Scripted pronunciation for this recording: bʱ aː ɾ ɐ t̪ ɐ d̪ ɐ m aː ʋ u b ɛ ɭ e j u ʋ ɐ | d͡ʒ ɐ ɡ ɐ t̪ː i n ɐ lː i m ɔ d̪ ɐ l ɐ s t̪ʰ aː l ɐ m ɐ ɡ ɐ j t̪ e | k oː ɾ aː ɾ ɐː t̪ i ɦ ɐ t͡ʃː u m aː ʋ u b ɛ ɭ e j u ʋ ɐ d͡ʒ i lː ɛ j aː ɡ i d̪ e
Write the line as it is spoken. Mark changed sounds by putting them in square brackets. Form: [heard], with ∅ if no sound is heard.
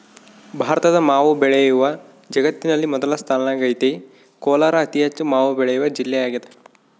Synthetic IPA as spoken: bʱ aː ɾ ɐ t̪ ɐ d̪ ɐ m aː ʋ u b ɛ ɭ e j u ʋ ɐ | d͡ʒ ɐ ɡ ɐ t̪ː i n ɐ lː i m ɔ d̪ ɐ l ɐ s t̪ʰ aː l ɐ [n] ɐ ɡ ɐ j t̪ e | k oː [l] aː ɾ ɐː t̪ i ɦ ɐ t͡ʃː u m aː ʋ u b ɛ ɭ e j u ʋ ɐ d͡ʒ i lː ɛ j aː ɡ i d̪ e